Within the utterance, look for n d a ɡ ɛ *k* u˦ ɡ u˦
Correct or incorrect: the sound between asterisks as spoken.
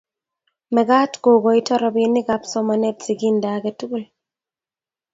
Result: incorrect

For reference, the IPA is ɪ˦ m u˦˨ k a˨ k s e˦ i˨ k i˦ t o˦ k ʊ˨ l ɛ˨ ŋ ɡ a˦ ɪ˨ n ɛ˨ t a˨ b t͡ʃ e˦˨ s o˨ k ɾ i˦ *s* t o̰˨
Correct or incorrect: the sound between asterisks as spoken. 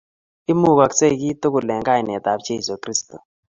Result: correct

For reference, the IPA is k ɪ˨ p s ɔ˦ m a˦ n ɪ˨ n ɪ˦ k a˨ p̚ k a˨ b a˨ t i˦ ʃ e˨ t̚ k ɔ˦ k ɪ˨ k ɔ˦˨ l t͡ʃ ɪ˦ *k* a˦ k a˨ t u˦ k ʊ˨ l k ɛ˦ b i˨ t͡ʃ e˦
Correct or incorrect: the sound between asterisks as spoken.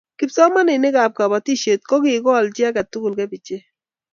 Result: incorrect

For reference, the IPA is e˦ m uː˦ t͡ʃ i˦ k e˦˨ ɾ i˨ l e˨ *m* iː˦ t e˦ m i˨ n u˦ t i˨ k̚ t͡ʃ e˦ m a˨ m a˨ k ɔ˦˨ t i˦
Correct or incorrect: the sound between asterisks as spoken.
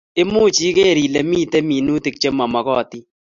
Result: correct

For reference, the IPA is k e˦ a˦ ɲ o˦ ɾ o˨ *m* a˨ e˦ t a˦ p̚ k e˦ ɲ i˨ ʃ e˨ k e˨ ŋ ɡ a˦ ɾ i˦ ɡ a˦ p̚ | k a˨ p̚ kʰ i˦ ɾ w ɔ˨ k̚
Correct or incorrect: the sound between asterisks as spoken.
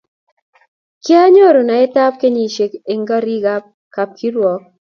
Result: incorrect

